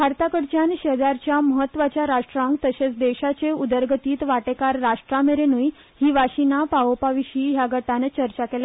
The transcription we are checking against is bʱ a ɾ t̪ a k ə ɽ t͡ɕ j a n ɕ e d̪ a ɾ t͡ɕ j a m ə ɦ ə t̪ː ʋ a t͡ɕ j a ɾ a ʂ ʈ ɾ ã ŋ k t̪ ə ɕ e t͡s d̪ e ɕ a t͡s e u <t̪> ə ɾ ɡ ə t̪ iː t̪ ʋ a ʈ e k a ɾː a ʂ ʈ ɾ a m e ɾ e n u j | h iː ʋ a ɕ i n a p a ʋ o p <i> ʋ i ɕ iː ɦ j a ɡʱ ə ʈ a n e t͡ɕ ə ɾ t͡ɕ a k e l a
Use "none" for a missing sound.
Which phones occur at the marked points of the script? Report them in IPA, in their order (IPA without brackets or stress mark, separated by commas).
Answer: d̪, a